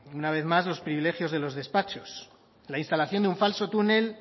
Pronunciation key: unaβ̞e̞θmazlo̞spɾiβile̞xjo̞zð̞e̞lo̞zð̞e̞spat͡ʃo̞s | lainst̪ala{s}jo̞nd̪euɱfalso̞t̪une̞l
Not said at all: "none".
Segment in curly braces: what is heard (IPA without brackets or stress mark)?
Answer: θ